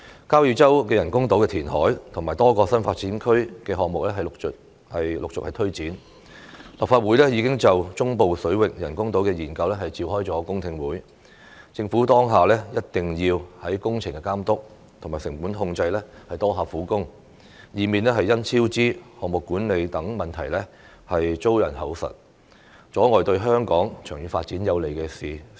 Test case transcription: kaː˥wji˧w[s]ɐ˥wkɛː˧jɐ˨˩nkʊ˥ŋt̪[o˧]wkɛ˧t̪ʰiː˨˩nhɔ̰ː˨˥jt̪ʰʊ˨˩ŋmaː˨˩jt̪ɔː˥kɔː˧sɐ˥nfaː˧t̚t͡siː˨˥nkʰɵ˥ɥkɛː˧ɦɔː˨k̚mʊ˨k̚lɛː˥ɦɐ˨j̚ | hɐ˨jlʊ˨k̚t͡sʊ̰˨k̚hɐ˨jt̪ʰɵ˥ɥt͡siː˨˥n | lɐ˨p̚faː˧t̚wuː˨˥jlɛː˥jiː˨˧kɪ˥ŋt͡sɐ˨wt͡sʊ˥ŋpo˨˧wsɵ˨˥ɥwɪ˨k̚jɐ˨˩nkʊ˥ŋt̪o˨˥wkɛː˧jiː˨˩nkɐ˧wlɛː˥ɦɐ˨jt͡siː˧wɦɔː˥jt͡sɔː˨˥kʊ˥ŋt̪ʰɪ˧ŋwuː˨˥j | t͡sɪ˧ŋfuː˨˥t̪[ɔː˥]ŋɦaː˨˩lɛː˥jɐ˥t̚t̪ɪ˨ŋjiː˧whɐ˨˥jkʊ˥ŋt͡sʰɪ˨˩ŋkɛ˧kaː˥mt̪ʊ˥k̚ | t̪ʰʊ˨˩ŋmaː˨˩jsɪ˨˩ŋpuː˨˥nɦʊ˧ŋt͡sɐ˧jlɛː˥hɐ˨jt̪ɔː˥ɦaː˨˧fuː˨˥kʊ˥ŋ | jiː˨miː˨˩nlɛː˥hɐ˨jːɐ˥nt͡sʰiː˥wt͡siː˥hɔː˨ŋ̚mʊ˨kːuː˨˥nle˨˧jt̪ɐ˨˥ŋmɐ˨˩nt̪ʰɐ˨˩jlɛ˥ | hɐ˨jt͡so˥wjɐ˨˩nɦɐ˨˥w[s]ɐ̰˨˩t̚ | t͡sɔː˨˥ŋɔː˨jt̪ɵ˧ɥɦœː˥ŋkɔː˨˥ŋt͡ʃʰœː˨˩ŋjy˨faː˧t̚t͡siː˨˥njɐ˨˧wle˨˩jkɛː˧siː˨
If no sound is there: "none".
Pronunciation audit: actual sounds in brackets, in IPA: t͡s, o˨˥, ɔː˥, s

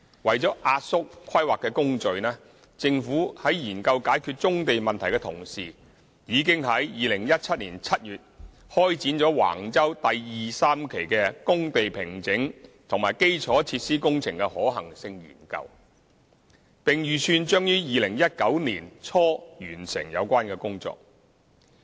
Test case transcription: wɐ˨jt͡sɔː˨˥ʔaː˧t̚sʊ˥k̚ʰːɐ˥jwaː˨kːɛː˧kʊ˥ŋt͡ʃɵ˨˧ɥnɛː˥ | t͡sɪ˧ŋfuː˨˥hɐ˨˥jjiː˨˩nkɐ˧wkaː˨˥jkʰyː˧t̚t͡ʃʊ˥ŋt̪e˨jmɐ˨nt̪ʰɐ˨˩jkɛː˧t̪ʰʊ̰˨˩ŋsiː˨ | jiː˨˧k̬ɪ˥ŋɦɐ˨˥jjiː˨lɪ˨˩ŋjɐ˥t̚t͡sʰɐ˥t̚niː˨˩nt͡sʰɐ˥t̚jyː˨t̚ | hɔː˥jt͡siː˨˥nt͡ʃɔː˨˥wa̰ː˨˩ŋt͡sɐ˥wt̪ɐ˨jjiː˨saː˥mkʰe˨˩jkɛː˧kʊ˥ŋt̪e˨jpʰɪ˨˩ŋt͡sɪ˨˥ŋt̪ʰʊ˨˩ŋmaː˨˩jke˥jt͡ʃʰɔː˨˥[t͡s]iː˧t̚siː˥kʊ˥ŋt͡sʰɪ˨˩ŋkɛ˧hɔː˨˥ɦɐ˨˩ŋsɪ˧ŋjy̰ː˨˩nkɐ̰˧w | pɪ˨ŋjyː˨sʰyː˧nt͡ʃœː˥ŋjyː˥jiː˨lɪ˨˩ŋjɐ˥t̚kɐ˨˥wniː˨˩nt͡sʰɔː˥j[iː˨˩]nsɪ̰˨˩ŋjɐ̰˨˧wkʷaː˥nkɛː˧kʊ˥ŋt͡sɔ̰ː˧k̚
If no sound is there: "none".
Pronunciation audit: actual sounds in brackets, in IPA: t͡sʰ, yː˨˩

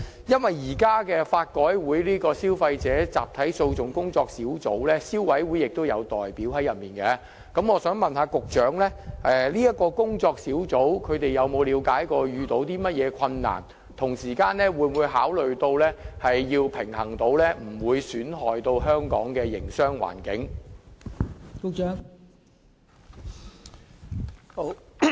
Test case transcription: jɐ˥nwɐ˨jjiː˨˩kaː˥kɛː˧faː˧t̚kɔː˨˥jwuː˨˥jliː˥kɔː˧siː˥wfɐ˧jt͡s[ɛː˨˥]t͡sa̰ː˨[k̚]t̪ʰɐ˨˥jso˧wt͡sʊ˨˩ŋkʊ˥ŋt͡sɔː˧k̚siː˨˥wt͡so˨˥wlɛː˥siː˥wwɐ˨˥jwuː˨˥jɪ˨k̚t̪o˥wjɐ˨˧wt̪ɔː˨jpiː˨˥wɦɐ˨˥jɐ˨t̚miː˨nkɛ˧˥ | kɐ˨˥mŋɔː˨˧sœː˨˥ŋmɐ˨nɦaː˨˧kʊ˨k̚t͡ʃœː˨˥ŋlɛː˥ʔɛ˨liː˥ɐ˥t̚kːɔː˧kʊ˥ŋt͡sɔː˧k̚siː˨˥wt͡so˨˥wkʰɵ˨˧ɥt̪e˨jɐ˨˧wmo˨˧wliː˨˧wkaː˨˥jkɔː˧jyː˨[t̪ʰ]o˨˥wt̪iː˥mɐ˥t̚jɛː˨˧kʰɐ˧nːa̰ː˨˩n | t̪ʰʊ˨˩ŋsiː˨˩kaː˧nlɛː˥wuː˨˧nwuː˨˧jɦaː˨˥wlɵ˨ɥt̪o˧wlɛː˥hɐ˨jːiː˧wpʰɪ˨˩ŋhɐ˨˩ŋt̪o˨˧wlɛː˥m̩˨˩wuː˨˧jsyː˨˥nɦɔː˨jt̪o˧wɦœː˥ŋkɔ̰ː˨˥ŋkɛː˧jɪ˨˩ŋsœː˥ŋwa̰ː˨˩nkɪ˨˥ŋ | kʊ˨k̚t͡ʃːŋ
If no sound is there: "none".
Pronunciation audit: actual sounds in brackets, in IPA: ɛː˨˥, p̚, t̪

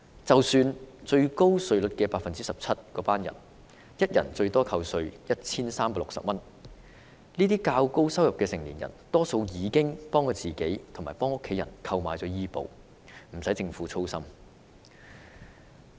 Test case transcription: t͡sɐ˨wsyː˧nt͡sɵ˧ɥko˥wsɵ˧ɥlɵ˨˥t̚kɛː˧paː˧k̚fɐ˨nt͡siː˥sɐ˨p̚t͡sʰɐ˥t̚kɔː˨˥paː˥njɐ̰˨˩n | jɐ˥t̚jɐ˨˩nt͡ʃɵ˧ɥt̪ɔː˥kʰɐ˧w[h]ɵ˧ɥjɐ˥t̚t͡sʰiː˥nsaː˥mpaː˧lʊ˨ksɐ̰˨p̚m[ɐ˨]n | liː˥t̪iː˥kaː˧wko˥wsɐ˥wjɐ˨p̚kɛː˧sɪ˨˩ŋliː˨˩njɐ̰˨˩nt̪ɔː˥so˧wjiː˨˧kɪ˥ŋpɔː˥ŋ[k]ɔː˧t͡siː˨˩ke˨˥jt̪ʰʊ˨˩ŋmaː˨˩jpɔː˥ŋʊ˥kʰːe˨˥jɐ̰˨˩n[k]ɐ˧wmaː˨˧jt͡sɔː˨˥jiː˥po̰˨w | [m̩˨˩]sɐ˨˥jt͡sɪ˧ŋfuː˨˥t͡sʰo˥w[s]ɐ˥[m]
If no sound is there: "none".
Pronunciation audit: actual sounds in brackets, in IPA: s, ɐ˥, k, kʰ, m̩˨˩, s, m

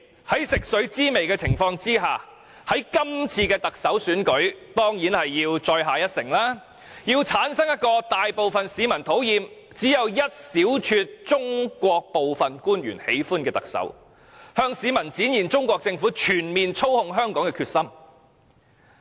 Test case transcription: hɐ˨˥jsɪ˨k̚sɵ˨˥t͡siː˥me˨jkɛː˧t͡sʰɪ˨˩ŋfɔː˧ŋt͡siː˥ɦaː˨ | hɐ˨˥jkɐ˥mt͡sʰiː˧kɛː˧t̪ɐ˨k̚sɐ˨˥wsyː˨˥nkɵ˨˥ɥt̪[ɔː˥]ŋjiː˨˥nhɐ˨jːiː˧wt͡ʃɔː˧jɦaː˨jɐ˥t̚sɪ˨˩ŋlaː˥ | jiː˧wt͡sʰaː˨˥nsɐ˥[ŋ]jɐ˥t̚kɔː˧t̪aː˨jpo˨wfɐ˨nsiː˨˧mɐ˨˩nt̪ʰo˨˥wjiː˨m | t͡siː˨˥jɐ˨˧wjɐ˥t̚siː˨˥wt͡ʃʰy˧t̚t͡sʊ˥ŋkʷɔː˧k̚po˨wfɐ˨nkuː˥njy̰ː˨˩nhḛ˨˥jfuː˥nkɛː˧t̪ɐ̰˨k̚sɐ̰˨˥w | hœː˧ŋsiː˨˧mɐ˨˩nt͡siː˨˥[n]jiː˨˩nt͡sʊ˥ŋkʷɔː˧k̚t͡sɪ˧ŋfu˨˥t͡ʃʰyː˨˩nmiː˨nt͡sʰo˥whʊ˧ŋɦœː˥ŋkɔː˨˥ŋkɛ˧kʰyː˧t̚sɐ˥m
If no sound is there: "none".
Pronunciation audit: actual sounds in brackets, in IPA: ɔː˥, ŋ, n

